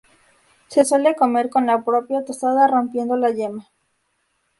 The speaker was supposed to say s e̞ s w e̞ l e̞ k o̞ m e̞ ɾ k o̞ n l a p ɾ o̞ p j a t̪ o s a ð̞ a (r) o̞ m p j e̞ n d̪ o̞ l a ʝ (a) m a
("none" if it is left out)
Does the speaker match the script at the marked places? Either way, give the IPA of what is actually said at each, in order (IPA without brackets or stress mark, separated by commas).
r, e